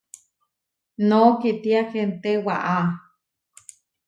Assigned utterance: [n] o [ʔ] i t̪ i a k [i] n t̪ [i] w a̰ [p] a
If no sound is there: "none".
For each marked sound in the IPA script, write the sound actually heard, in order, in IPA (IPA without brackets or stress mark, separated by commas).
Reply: n, k, e, e, ʔ